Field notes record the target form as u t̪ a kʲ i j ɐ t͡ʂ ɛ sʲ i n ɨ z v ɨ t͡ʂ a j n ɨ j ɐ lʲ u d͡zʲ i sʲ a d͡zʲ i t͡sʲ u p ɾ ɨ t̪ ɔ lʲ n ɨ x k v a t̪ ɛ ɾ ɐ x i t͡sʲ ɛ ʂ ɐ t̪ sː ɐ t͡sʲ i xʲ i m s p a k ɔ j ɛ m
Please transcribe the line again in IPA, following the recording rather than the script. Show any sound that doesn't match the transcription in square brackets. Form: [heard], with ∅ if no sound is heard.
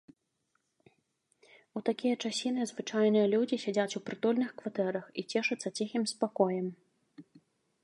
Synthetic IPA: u t̪ a kʲ i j ɐ t͡ʂ [a] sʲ i n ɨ z v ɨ t͡ʂ a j n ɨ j ɐ lʲ u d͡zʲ i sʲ a d͡zʲ [a] t͡sʲ u p ɾ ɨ t̪ ɔ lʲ n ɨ x k v a t̪ ɛ ɾ ɐ x i t͡sʲ ɛ ʂ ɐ t̪ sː ɐ t͡sʲ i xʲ i m s p a k ɔ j ɛ m